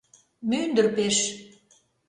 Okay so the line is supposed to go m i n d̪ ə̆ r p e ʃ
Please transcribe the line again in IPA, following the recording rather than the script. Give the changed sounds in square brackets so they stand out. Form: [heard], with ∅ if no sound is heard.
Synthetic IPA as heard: m [y] n d̪ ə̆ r p e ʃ